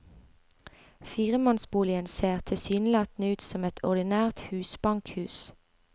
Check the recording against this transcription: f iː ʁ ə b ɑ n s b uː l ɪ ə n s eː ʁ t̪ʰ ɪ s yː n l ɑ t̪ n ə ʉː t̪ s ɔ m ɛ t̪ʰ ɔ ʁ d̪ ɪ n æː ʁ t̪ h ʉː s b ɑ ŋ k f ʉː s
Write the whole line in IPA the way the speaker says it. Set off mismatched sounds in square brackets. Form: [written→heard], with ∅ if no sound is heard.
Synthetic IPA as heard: f iː ʁ ə [b→m] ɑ n s b uː l ɪ ə n s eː ʁ t̪ʰ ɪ s yː n l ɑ t̪ n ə ʉː t̪ s ɔ m ɛ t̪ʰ ɔ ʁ d̪ ɪ n æː ʁ t̪ h ʉː s b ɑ ŋ k [f→h] ʉː s

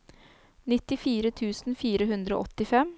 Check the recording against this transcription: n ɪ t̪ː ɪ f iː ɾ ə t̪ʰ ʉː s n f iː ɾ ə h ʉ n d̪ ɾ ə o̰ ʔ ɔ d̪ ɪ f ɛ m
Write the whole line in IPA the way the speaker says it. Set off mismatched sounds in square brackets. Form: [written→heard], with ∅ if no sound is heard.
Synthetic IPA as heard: n ɪ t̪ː ɪ f iː ɾ ə t̪ʰ ʉː s n f iː ɾ ə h ʉ n d̪ ɾ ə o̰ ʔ ɔ [d̪→t̪] ɪ f ɛ m

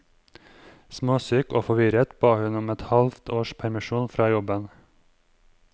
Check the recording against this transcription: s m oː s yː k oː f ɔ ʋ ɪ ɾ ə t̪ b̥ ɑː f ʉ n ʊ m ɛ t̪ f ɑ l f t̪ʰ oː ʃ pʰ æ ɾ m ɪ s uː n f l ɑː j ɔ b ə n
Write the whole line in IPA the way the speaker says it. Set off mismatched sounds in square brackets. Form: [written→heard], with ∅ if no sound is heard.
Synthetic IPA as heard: s m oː s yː k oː f ɔ ʋ ɪ ɾ ə t̪ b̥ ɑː [f→h] ʉ n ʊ m ɛ t̪ [f→h] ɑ l f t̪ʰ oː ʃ pʰ æ ɾ m ɪ [s→ʃ] uː n f [l→ɾ] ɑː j ɔ b ə n

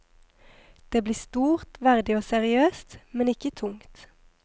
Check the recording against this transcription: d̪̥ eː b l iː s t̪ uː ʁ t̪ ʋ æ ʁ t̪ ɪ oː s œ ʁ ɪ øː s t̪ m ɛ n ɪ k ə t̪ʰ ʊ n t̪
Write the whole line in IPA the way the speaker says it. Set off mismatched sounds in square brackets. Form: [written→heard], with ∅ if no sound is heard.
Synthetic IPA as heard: d̪̥ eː b l iː s t̪ uː ʁ t̪ ʋ æ ʁ [t̪→d̪] ɪ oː s [œ→ɛ] ʁ ɪ øː s t̪ m ɛ n ɪ k ə t̪ʰ ʊ [n→ŋ] t̪

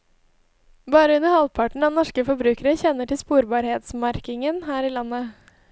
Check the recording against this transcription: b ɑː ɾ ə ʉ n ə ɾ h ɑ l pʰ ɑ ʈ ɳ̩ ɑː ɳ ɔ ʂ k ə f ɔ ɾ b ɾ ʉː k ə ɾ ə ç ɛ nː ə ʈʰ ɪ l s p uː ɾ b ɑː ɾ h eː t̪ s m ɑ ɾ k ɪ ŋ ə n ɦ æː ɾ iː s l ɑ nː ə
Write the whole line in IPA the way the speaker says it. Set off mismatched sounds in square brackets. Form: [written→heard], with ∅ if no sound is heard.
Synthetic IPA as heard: b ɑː ɾ ə ʉ n ə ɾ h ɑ l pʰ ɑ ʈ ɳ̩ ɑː [ɳ→n] ɔ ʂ k ə f ɔ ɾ b ɾ ʉː k ə ɾ ə ç ɛ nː ə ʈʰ ɪ l s p uː ɾ b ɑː ɾ h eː t̪ s m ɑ ɾ k ɪ ŋ ə n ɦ æː ɾ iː [s→∅] l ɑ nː ə

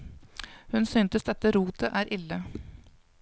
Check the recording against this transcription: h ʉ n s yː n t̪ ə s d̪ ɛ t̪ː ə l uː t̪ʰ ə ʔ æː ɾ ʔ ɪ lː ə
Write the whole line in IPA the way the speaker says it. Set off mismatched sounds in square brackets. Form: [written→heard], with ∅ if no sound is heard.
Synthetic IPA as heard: h ʉ n s yː n t̪ ə s d̪ ɛ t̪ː ə [l→ɾ] uː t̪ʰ ə ʔ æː ɾ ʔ ɪ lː ə

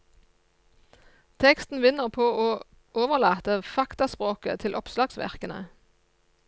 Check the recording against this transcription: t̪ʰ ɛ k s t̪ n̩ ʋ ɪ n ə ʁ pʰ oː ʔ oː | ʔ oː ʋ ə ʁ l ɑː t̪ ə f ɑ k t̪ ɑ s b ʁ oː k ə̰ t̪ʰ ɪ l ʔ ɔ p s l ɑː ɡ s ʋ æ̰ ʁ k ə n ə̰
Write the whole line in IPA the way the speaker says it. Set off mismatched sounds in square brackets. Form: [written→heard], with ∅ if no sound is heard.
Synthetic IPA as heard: t̪ʰ ɛ k s t̪ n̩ ʋ ɪ n ə ʁ pʰ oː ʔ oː | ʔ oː ʋ ə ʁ l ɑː t̪ ə f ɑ k t̪ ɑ s [b→p] ʁ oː k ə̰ t̪ʰ ɪ l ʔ ɔ p s l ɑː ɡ s ʋ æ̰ ʁ k ə n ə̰

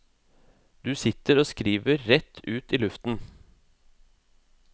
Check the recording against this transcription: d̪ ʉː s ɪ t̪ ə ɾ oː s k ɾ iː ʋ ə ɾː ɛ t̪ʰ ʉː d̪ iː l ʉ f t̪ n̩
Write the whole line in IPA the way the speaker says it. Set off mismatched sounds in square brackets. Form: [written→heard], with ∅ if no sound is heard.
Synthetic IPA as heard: d̪ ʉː s ɪ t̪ ə ɾ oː s k ɾ iː ʋ ə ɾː ɛ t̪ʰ ʉː [d̪→t̪] iː l ʉ f t̪ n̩

